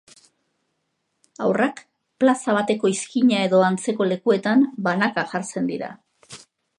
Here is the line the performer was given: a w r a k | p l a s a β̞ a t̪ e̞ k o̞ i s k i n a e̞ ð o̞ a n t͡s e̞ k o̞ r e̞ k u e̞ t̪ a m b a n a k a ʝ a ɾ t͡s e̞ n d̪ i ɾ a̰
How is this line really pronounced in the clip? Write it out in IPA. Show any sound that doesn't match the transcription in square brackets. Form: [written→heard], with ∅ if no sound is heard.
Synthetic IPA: a w r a k | p l a s a β̞ a t̪ e̞ k o̞ i s k i [n→ɲ] a e̞ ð o̞ a n t͡s e̞ k o̞ [r→l] e̞ k u e̞ t̪ a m b a n a k a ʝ a ɾ t͡s e̞ n d̪ i ɾ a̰